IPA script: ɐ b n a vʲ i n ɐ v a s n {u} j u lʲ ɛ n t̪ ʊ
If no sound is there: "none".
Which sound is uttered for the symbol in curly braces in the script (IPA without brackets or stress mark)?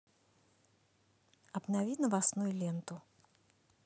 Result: u